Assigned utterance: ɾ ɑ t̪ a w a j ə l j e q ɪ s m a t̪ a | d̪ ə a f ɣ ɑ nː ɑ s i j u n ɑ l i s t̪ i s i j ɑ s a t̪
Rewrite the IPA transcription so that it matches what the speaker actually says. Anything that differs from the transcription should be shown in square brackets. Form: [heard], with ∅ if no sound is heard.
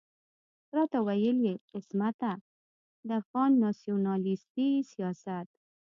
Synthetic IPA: ɾ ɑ t̪ a w a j ə l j e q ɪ s m a t̪ a | d̪ ə a f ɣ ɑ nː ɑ s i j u n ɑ l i s t̪ i s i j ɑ s a t̪